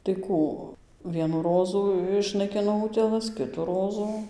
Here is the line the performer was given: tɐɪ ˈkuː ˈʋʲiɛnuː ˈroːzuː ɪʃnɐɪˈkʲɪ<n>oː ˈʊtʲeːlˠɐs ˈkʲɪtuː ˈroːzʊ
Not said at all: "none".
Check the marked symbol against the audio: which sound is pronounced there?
n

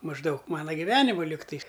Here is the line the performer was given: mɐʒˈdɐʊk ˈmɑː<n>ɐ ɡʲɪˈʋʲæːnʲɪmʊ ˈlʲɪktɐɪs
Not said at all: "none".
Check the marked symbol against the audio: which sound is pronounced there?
n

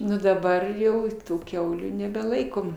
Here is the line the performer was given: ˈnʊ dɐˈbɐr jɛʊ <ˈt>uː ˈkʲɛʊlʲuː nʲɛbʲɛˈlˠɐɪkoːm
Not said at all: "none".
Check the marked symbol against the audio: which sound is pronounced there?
t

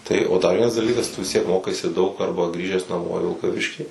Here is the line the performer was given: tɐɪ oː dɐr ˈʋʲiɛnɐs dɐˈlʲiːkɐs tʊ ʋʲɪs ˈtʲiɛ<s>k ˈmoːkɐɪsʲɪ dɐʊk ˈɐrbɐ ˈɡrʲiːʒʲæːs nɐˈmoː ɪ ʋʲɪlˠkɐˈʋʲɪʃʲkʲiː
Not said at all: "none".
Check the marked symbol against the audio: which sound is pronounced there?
none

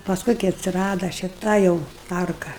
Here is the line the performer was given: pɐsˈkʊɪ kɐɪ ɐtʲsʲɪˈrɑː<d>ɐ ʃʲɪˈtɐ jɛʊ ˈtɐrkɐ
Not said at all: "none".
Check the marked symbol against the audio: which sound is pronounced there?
d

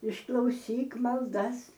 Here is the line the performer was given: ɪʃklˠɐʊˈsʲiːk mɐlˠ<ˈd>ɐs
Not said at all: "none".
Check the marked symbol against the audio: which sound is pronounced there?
d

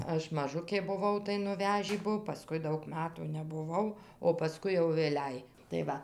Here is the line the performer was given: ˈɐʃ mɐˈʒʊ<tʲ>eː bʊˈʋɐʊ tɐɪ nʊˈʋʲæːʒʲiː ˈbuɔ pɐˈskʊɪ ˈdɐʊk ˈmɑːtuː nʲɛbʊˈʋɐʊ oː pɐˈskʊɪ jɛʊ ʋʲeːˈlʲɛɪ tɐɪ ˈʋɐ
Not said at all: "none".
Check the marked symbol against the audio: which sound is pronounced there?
kʲ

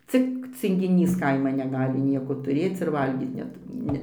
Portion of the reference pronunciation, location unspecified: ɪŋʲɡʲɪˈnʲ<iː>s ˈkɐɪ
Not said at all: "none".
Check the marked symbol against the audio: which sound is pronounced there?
iː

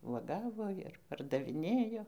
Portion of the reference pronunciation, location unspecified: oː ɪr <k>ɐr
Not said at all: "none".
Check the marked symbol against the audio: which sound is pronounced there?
p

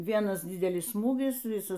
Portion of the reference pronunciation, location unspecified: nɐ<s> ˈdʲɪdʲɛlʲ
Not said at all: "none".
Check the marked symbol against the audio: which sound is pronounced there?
s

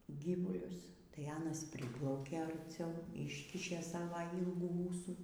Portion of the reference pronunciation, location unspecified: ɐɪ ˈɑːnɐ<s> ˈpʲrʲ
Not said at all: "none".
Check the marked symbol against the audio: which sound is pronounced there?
s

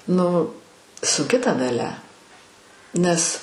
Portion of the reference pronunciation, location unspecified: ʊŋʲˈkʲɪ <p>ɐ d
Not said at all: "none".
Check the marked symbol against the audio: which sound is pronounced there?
t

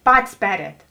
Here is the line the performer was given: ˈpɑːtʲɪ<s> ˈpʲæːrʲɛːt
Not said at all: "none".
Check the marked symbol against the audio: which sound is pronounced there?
s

